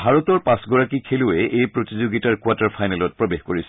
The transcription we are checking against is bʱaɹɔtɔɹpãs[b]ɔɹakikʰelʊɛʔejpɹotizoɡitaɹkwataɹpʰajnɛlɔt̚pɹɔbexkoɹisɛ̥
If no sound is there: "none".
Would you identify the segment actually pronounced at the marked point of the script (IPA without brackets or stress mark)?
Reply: ɡ